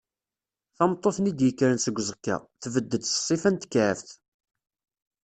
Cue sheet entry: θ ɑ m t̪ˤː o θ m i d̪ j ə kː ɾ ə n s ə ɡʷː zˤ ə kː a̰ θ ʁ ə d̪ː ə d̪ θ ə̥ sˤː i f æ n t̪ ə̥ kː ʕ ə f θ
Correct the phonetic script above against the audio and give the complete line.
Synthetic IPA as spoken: θ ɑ m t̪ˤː o θ n i d̪ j ə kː ɾ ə n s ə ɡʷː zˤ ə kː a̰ θ v ə d̪ː ə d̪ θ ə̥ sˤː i f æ n t̪ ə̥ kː ʕ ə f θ